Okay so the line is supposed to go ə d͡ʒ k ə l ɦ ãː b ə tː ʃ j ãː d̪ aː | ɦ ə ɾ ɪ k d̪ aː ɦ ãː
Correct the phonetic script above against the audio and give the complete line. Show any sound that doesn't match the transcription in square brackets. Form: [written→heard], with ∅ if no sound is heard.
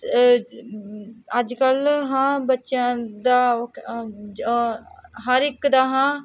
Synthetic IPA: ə d͡ʒ k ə l ɦ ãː b ə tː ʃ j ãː d̪ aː | ɦ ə ɾ ɪ k d̪ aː ɦ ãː